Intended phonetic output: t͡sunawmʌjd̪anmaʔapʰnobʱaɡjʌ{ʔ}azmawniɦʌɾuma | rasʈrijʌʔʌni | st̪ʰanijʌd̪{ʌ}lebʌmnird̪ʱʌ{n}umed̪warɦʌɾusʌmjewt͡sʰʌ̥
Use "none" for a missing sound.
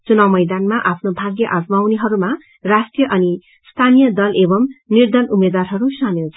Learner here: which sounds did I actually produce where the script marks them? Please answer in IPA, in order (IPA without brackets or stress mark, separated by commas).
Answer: ʔ, ʌ, n